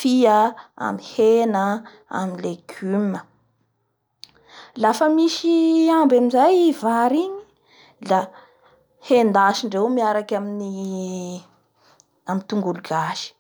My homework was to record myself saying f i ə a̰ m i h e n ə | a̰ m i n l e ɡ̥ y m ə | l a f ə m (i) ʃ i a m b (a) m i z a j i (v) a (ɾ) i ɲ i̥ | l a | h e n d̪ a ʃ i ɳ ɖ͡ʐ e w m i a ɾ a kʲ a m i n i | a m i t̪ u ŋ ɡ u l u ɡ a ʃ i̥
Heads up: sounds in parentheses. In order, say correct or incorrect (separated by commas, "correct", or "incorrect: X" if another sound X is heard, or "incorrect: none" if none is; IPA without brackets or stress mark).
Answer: correct, correct, correct, correct